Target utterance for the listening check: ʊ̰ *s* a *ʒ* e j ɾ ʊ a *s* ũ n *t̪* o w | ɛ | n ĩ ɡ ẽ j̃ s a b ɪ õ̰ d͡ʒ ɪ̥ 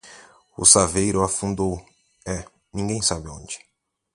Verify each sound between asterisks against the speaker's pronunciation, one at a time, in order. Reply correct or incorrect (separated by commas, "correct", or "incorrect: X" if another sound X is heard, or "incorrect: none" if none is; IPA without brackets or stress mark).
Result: correct, incorrect: v, incorrect: f, incorrect: d̪